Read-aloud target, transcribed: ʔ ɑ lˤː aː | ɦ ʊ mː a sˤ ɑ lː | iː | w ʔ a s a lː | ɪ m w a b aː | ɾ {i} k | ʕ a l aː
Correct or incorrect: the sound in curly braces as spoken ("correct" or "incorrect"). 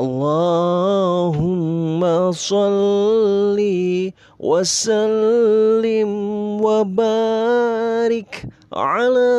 incorrect